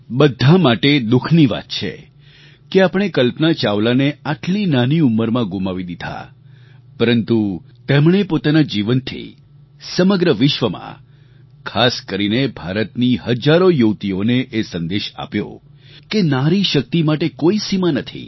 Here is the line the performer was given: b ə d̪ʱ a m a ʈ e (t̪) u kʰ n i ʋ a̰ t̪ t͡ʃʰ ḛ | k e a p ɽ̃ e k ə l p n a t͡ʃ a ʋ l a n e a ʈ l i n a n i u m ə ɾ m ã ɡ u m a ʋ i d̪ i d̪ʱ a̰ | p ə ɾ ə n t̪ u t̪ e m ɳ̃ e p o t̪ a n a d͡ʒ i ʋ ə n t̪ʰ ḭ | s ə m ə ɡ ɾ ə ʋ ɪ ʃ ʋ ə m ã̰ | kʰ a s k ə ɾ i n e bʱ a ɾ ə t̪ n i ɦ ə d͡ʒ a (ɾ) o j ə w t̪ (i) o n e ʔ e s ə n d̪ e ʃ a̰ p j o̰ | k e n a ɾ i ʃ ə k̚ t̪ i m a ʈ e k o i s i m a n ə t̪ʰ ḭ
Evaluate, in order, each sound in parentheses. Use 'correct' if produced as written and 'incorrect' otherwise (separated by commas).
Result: incorrect, correct, correct